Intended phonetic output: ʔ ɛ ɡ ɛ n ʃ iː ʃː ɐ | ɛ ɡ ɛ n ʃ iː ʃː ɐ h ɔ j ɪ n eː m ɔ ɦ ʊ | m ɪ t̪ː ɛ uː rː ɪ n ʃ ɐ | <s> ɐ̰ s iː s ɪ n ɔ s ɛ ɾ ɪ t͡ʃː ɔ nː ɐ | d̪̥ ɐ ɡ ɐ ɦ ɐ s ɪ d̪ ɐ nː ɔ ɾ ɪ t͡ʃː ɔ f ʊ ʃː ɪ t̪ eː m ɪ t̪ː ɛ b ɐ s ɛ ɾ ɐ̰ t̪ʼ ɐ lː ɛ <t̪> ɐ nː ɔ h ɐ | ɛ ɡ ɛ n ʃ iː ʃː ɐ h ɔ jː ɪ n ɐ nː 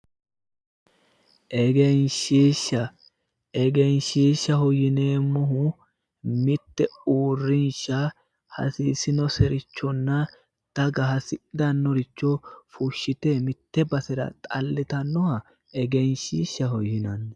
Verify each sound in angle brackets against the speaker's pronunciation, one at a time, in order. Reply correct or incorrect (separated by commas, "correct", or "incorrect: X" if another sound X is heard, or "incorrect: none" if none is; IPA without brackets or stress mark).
incorrect: h, correct